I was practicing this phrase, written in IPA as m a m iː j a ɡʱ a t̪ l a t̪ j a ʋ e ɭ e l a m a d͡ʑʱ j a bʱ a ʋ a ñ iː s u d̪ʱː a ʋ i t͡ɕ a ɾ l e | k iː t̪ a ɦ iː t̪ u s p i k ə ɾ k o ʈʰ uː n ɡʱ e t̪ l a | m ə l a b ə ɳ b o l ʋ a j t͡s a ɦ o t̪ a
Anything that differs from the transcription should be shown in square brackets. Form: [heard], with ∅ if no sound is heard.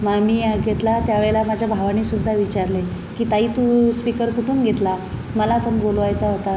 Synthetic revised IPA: m a m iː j a ɡʱ [e] t̪ l a t̪ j a ʋ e ɭ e l a m a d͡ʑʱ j a bʱ a ʋ a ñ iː s u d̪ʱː a ʋ i t͡ɕ a ɾ l e | k iː t̪ a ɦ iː t̪ u s p i k ə ɾ k [u] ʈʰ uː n ɡʱ e t̪ l a | m ə l a [p] ə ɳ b o l ʋ a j t͡s a ɦ o t̪ a